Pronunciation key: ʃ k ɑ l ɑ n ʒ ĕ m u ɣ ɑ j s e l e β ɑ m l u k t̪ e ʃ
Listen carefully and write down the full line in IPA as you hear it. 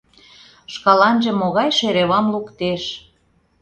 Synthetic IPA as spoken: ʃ k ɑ l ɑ n ʒ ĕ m o ɣ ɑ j ʃ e ɾ e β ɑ m l u k t̪ e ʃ